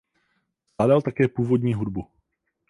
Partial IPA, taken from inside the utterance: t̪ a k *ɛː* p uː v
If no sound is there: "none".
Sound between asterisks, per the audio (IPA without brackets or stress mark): ɛː